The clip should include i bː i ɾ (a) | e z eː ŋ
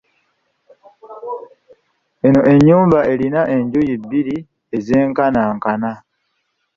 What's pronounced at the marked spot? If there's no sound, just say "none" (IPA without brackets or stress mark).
i